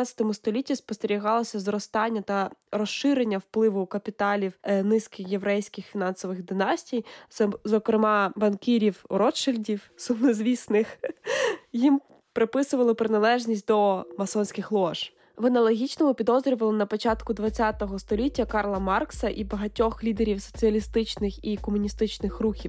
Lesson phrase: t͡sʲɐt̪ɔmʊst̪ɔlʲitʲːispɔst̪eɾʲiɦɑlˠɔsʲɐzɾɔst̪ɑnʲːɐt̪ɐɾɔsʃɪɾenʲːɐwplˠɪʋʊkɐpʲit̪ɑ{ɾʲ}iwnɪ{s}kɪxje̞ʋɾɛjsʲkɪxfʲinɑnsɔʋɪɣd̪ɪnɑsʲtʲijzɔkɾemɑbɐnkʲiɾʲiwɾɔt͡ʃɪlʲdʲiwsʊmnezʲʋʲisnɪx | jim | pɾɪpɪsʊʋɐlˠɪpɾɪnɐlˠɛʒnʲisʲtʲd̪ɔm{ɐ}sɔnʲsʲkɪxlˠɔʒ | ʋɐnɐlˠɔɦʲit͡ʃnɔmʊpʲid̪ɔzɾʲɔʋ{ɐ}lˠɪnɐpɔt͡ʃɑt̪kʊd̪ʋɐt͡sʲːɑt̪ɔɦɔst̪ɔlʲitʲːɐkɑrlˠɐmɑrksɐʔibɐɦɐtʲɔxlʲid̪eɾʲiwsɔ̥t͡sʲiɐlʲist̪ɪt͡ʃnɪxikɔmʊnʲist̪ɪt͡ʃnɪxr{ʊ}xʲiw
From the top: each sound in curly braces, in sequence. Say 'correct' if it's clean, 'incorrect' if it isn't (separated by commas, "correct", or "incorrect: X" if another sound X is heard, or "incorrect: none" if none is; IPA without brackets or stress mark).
incorrect: lʲ, correct, correct, correct, incorrect: u